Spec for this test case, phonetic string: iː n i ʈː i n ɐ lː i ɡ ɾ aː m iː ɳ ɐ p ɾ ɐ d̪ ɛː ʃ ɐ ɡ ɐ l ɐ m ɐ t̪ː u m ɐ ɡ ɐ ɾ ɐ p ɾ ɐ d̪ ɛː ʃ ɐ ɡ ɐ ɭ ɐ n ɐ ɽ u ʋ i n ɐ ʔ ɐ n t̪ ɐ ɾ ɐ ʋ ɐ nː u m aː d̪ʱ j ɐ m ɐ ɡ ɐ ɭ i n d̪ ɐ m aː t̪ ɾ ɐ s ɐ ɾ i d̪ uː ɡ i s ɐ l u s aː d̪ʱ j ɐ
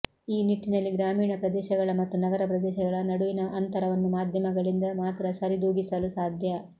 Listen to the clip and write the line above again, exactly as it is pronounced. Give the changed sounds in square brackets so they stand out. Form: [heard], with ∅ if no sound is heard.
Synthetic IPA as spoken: iː n i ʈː i n ɐ lː i ɡ ɾ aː m iː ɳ ɐ p ɾ ɐ d̪ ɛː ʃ ɐ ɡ ɐ [ɭ] ɐ m ɐ t̪ː u [n] ɐ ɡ ɐ ɾ ɐ p ɾ ɐ d̪ ɛː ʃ ɐ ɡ ɐ ɭ ɐ n ɐ ɽ u ʋ i n ɐ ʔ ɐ n t̪ ɐ ɾ ɐ ʋ ɐ nː u m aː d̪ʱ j ɐ m ɐ ɡ ɐ ɭ i n d̪ ɐ m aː t̪ ɾ ɐ s ɐ ɾ i d̪ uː ɡ i s ɐ l u s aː d̪ʱ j ɐ